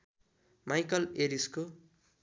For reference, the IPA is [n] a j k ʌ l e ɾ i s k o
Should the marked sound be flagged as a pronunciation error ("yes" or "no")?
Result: yes